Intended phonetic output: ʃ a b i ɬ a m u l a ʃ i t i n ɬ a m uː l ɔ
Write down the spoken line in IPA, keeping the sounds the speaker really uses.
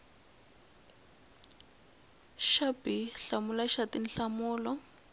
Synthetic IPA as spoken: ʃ a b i ɬ a m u l a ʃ a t i n ɬ a m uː l ɔ

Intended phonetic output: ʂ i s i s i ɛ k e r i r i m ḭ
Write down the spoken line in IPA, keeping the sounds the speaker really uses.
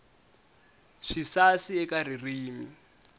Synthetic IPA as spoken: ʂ i s a s i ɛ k a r i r iː m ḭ

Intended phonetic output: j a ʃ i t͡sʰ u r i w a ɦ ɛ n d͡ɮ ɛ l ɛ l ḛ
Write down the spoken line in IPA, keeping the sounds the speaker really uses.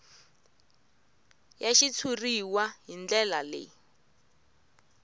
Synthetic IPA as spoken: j a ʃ i t͡sʰ u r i w a ɦ i n d͡ɮ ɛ l a l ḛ

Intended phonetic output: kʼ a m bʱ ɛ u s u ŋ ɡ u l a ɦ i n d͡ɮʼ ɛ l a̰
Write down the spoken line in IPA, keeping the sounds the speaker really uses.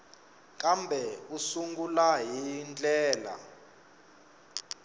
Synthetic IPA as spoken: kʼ a m bʱ ɛ u s u ŋ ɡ u l a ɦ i n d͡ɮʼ ɛː l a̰

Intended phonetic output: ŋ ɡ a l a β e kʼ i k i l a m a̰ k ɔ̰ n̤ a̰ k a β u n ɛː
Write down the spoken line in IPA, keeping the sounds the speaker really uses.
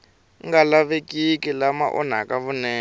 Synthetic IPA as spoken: ŋ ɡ a l a β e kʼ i k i l a m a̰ ʔ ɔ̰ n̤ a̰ k a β u n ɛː

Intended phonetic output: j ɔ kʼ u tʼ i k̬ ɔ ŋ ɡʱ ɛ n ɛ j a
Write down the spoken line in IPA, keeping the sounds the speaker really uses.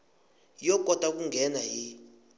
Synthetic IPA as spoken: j ɔ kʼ ɔ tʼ a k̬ u ŋ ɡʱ ɛ n a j i

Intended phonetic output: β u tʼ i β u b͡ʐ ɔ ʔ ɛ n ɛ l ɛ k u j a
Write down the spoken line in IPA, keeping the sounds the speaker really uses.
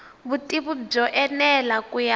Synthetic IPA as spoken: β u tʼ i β u b͡ʐ ɔ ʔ ɛ n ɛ l a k u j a

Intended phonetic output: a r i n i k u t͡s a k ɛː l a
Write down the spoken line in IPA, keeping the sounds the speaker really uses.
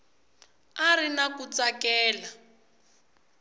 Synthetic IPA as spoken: a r i n a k u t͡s a k ɛː l a

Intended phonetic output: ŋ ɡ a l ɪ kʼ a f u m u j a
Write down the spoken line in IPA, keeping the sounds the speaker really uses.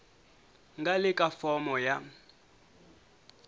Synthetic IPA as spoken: ŋ ɡ a l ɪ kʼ a f ɔ m ɔ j a

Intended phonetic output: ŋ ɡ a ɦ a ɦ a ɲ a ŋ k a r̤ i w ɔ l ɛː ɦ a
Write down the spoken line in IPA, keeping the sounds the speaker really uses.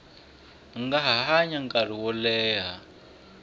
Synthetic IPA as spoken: ŋ ɡ a ɦ a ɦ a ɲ a ŋ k a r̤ i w ɔ l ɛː ɦ a

